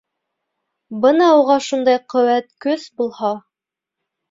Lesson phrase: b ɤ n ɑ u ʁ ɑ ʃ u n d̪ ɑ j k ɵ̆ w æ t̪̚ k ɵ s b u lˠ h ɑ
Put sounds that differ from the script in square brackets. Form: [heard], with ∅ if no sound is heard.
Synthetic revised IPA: b ɤ n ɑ u ʁ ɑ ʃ u n d̪ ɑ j [q] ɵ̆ w æ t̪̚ k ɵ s b u lˠ h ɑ